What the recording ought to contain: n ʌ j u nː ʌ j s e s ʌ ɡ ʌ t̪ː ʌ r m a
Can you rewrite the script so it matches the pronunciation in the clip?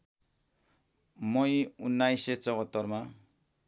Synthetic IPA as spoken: m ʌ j u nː a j s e t͡s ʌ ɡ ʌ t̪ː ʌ r m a